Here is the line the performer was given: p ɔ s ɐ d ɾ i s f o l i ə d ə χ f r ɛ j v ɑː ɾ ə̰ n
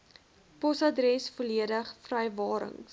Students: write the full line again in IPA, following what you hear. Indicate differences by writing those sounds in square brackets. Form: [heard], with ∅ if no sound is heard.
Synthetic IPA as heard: p ɔ s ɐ d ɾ [ɛ] s f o l i ə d ə χ f r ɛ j v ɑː ɾ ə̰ [ŋ]